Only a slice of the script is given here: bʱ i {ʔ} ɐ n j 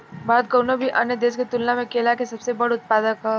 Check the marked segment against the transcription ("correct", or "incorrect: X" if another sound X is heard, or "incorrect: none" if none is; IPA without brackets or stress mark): correct